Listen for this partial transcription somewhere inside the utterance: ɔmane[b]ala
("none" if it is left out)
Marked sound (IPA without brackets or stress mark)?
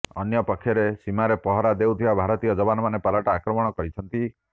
p